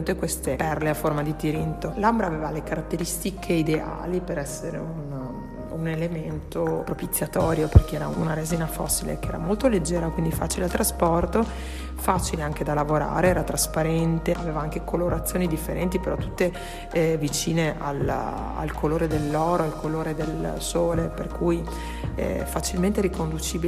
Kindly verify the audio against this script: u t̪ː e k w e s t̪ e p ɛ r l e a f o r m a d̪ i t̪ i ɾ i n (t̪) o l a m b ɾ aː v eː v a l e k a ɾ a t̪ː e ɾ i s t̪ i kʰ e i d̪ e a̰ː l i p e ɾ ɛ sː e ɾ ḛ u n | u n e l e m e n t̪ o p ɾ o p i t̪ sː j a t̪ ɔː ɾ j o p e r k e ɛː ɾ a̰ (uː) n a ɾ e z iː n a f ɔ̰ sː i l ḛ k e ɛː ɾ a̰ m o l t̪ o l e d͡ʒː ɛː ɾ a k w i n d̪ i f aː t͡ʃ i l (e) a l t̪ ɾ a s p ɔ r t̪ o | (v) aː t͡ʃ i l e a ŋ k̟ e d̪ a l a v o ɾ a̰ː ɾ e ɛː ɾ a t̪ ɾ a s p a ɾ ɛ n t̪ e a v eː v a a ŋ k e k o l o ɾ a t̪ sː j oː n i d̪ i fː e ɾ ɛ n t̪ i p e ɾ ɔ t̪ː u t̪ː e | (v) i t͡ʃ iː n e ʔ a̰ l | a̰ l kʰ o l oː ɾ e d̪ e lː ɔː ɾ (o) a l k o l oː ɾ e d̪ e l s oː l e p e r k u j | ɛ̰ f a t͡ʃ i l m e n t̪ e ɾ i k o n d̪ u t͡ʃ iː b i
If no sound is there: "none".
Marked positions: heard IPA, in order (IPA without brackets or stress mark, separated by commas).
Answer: t̪, u, e, f, v, o